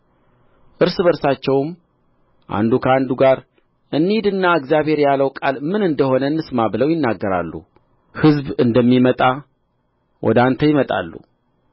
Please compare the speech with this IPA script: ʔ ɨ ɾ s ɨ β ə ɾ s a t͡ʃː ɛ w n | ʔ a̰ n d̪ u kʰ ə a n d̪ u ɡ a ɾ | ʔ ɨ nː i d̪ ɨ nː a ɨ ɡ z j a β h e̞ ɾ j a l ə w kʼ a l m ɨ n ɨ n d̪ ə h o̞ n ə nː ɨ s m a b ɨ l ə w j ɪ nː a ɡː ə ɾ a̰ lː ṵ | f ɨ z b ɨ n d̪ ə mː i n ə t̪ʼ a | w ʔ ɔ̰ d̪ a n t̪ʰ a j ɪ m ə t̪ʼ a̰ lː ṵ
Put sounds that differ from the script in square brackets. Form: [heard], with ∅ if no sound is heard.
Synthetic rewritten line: ʔ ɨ ɾ s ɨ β ə ɾ s a t͡ʃː ɛ w [m] | ʔ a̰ n d̪ u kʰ ə a n d̪ u ɡ a ɾ | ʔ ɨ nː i d̪ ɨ nː a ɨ ɡ z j a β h e̞ ɾ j a l ə w kʼ a l m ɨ n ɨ n d̪ ə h o̞ n ə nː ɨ s m a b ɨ l ə w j ɪ nː a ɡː ə ɾ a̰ lː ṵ | [h] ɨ z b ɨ n d̪ ə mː i [m] ə t̪ʼ a | w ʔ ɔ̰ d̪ a n t̪ʰ [ə] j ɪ m ə t̪ʼ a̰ lː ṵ